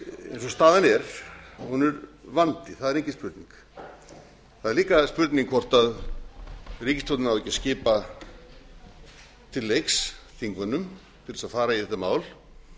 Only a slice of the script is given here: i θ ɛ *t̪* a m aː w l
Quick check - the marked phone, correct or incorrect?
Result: correct